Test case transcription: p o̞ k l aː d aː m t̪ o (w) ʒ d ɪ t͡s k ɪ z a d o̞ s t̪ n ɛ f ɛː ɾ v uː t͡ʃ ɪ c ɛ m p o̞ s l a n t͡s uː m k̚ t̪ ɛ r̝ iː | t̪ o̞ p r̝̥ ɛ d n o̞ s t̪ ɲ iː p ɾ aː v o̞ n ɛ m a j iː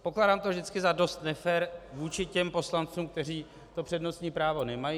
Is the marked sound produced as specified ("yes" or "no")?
no